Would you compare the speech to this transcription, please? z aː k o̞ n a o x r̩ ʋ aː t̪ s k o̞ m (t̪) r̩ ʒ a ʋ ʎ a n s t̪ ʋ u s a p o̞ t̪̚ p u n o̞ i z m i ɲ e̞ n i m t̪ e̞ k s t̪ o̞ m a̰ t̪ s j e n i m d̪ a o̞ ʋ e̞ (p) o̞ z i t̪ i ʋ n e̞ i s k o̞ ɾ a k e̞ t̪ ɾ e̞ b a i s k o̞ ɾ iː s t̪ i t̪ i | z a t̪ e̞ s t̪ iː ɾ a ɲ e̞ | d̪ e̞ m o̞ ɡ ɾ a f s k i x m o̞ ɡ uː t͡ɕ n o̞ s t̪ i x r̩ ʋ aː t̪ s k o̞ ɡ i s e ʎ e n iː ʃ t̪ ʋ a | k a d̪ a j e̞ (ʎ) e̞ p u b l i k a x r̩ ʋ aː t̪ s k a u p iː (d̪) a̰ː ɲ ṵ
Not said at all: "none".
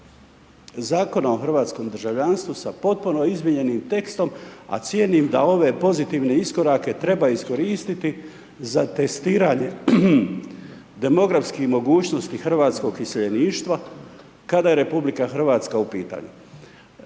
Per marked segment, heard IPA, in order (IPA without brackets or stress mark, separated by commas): d̪, p, ɾ, t̪